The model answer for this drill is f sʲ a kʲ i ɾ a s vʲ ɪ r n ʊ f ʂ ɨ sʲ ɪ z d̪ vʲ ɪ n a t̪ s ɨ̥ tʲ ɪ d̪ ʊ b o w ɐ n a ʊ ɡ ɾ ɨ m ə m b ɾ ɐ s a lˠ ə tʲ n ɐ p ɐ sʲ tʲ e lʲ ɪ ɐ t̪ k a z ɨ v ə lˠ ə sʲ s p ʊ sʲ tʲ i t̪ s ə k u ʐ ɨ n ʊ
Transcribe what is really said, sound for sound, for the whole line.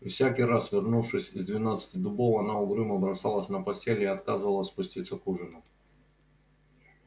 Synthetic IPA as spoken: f sʲ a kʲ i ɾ a s vʲ ɪ r n u f ʂ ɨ sʲ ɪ z d̪ vʲ ɪ n a t̪ s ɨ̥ tʲ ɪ d̪ ʊ b o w ɐ n a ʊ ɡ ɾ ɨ m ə b ɾ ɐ s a lˠ ə sʲ n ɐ p ɐ sʲ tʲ e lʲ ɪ ɐ t̪ k a z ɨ v ə lˠ ə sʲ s p ʊ sʲ tʲ i t̪ s ə k u ʐ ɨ n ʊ